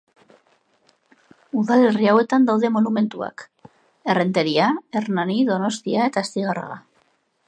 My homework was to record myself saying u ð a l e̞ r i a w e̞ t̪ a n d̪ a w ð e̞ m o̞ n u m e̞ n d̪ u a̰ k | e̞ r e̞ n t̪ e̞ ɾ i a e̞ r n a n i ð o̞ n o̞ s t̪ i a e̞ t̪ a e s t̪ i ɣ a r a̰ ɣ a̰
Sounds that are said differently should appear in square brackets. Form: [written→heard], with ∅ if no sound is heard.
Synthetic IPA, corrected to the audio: u ð a l e̞ r i a w e̞ t̪ a n d̪ a w ð e̞ m o̞ n u m e̞ n [d̪→t̪] u a̰ k | e̞ r e̞ n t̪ e̞ ɾ i a e̞ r n a n i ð o̞ n o̞ s t̪ i a e̞ t̪ a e s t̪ i ɣ a r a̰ ɣ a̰

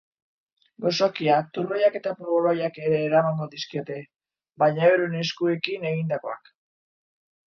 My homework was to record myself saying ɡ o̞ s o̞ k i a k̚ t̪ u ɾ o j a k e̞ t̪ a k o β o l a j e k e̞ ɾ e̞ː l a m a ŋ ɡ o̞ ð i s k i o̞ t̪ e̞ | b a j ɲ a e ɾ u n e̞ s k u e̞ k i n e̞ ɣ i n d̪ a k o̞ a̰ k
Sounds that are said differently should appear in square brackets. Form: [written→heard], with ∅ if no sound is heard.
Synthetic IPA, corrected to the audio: ɡ o̞ s o̞ k i a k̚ t̪ u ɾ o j a k e̞ t̪ a [k→p] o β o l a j [e→a] k e̞ ɾ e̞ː [l→ɾ] a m a ŋ ɡ o̞ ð i s k i o̞ t̪ e̞ | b a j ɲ a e ɾ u n e̞ s k u e̞ k i n e̞ ɣ i n d̪ a k o̞ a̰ k

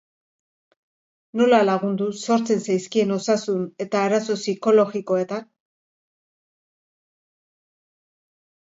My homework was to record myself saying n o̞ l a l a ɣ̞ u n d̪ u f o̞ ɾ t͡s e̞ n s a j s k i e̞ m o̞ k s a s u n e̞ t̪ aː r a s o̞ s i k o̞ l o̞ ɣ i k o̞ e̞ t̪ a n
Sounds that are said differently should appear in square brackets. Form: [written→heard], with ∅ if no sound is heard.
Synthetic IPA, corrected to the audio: n o̞ l a l a ɣ̞ u n d̪ u [f→s] o̞ ɾ t͡s e̞ n s a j s k i e̞ [m→n] o̞ [k→∅] s a s u n e̞ t̪ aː [r→ɾ] a s o̞ s i k o̞ l o̞ ɣ i k o̞ e̞ t̪ a n

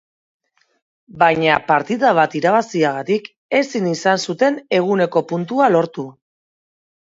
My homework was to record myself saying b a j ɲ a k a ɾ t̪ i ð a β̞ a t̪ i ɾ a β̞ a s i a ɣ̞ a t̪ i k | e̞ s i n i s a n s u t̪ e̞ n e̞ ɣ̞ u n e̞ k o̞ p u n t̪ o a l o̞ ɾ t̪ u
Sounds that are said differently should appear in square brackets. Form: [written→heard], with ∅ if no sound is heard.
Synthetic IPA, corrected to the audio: b a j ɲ a [k→p] a ɾ t̪ i ð a β̞ a t̪ i ɾ a β̞ a s i a ɣ̞ a t̪ i k | e̞ s i n i s a n s u t̪ e̞ n e̞ ɣ̞ u n e̞ k o̞ p u n t̪ [o→u] a l o̞ ɾ t̪ u

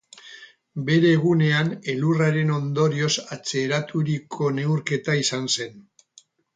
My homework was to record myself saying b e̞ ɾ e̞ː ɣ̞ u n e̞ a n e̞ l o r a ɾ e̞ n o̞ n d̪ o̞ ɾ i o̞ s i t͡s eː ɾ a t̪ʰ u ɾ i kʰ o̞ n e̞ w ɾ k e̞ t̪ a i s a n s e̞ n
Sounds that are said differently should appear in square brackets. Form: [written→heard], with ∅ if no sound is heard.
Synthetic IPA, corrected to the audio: b e̞ ɾ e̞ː ɣ̞ u n e̞ a n e̞ l [o→u] r a ɾ e̞ n o̞ n d̪ o̞ ɾ i o̞ s [i→a] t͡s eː ɾ a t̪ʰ u ɾ i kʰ o̞ n e̞ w ɾ k e̞ t̪ a i s a n s e̞ n

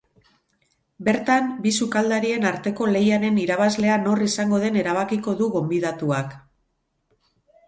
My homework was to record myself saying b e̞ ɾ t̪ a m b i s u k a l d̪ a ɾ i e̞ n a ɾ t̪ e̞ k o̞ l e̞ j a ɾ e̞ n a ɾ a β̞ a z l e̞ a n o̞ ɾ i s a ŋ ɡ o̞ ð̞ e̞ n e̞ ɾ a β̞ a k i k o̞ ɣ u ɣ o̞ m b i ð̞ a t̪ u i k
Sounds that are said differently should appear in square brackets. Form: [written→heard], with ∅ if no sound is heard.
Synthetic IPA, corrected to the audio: b e̞ ɾ t̪ a m b i s u k a l d̪ a ɾ i e̞ n a ɾ t̪ e̞ k o̞ l e̞ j a ɾ e̞ n [a→i] ɾ a β̞ a z l e̞ a n o̞ [ɾ→r] i s a ŋ ɡ o̞ ð̞ e̞ n e̞ ɾ a β̞ a k i k o̞ [ɣ→ð] u ɣ o̞ m b i ð̞ a t̪ u [i→a] k

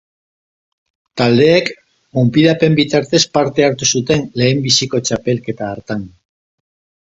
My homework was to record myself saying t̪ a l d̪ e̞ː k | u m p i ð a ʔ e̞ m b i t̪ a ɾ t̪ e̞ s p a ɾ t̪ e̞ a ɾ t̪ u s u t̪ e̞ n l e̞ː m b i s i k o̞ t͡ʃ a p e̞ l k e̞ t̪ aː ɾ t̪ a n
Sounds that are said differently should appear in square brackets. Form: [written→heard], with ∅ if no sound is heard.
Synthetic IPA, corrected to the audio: t̪ a l d̪ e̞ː k | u m p i ð a [ʔ→p] e̞ m b i t̪ a ɾ t̪ e̞ s p a ɾ t̪ e̞ a ɾ t̪ u s u t̪ e̞ n l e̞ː m b i s i k o̞ t͡ʃ a p e̞ l k e̞ t̪ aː ɾ t̪ a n

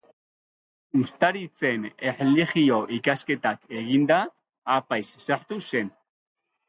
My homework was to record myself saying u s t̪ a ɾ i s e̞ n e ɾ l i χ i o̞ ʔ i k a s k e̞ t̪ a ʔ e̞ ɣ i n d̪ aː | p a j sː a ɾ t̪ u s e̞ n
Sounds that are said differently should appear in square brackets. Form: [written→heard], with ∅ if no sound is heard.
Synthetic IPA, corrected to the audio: u s t̪ a ɾ i [s→t͡s] e̞ n e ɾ l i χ i o̞ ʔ i k a s k e̞ t̪ a [ʔ→k] e̞ ɣ i n d̪ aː | p a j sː a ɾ t̪ u s e̞ n

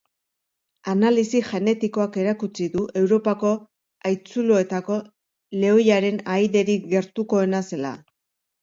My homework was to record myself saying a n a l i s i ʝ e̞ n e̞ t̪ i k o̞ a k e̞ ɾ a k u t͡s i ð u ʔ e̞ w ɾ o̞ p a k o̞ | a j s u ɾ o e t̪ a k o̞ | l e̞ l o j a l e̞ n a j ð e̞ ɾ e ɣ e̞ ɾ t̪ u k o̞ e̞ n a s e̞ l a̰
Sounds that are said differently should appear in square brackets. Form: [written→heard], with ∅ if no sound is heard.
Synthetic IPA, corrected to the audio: a n a l i s i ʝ e̞ n e̞ t̪ i k o̞ a k e̞ ɾ a k u t͡s i ð u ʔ e̞ w ɾ o̞ p a k o̞ | a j [s→t͡s] u [ɾ→l] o e t̪ a k o̞ | l e̞ [l→∅] o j a [l→ɾ] e̞ n a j ð e̞ ɾ [e→i] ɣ e̞ ɾ t̪ u k o̞ e̞ n a s e̞ l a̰

